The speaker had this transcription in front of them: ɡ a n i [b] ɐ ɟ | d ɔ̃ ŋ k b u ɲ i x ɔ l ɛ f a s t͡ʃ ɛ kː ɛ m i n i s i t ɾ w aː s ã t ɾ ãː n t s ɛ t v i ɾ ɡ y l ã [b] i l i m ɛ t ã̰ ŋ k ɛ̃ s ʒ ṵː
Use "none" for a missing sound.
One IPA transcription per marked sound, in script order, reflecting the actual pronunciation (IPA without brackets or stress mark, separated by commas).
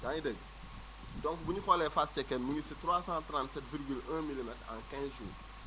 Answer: d, m